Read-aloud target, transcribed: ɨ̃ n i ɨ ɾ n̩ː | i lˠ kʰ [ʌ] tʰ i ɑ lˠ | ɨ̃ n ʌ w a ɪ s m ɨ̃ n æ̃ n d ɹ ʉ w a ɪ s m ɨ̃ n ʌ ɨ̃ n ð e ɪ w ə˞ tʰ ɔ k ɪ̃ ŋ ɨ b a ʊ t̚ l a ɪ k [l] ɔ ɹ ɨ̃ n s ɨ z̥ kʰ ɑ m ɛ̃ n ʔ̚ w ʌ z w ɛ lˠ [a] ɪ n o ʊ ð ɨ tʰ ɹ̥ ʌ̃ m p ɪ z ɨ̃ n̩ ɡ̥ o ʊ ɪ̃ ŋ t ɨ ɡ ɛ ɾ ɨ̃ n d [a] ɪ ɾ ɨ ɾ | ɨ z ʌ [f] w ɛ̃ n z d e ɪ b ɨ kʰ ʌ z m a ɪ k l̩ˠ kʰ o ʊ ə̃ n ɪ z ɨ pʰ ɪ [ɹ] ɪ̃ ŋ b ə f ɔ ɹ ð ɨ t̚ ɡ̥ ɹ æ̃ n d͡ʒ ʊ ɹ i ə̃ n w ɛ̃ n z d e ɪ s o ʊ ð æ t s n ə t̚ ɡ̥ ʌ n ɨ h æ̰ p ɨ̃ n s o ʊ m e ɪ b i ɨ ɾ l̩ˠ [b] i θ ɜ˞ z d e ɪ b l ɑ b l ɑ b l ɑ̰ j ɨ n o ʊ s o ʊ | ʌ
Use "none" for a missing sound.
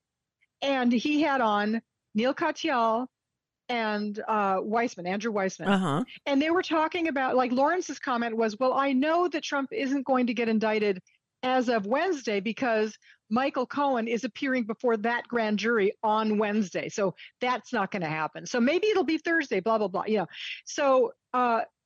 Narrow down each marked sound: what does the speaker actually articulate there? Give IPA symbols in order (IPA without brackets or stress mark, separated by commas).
ɑ, l, a, a, v, ɹ, b